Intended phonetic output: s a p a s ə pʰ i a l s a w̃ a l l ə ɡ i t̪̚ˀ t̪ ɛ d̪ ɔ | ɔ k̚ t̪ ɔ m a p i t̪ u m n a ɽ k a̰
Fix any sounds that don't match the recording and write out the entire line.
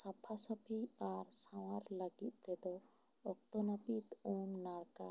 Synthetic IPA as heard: s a pʰ a s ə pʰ i a ɾ s a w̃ a ɾ l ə ɡ i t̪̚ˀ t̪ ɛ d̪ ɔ | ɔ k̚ t̪ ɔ n a p i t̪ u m n a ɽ k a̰